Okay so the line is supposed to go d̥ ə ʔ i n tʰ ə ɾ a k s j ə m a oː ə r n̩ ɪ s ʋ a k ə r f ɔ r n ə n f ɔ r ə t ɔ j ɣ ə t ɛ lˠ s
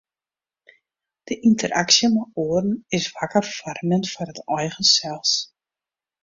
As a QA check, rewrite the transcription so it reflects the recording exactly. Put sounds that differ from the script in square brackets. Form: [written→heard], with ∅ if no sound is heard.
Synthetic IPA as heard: d̥ ə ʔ i n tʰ ə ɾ a k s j ə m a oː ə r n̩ ɪ s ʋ a k ə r f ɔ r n ə n f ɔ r ə t ɔ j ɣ ə [t→s] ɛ lˠ s

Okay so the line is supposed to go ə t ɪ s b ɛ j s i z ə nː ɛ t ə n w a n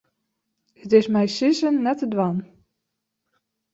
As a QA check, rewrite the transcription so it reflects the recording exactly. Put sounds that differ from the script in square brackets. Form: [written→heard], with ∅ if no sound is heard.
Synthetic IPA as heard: ə t ɪ s [b→m] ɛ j s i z ə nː ɛ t ə [n→d] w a n

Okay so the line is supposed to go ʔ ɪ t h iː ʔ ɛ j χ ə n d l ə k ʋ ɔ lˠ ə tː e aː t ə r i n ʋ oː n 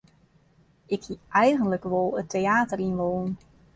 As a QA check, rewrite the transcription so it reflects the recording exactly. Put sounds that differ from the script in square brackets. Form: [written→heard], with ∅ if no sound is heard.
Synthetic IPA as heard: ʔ ɪ [t→k] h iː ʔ ɛ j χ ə n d l ə k ʋ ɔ lˠ ə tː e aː t ə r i n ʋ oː n

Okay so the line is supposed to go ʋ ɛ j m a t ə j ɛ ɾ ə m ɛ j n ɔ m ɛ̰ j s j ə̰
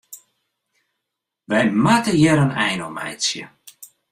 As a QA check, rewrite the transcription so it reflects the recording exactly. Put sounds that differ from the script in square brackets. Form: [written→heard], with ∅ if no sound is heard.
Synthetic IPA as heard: ʋ ɛ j m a t ə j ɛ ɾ ə [m→n] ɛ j n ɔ m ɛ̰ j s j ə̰

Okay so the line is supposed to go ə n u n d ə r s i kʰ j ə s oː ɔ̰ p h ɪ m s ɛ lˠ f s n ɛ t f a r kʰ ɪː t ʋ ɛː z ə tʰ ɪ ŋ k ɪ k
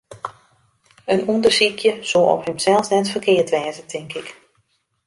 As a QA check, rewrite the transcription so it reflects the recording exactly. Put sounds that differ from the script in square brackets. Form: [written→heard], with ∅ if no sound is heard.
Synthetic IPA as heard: ə n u n d ə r s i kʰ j ə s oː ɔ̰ p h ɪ m s ɛ lˠ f s n ɛ t f [a→ə] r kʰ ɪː t ʋ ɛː z ə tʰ ɪ ŋ k ɪ k

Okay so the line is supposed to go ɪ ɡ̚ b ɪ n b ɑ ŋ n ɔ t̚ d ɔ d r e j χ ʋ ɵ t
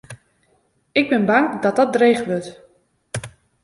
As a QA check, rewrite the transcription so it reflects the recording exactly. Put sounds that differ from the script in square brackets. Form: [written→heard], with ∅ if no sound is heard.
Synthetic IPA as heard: ɪ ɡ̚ b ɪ n b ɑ ŋ [n→d] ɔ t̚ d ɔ d r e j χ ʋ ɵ t

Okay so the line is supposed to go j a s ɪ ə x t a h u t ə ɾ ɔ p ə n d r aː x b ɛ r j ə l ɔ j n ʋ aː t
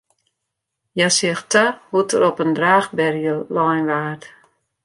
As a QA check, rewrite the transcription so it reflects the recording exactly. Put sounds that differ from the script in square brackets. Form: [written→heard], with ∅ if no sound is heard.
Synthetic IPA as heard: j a s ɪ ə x t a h u t ə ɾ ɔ p ə n d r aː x b ɛ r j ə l ɔ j n ʋ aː t

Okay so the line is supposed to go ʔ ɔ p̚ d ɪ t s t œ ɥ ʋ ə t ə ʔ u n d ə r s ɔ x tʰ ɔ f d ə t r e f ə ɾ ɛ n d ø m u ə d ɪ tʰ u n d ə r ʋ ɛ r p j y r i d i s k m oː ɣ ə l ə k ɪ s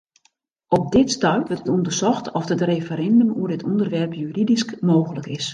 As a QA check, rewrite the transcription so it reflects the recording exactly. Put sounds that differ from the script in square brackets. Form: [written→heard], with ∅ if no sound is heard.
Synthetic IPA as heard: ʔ ɔ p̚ d ɪ t s t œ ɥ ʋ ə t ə [ʔ→t] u n d ə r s ɔ x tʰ ɔ f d ə t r e f ə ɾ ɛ n d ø m u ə d ɪ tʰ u n d ə r ʋ ɛ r p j y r i d i s k m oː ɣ ə l ə k ɪ s

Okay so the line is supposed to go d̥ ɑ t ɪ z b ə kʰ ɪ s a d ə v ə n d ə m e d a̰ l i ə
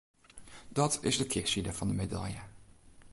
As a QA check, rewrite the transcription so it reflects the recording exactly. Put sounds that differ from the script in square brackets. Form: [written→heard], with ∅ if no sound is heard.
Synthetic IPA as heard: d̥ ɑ t ɪ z [b→d] ə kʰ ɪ s [a→i] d ə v [ə→ɑ] n d ə m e d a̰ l [i→j] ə

